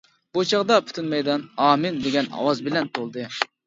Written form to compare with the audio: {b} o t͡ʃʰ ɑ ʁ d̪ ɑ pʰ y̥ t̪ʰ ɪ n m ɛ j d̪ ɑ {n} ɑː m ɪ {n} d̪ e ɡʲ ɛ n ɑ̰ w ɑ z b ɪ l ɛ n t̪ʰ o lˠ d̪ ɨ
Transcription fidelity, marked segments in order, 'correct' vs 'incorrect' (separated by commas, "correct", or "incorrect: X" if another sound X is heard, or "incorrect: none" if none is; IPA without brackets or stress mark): correct, correct, correct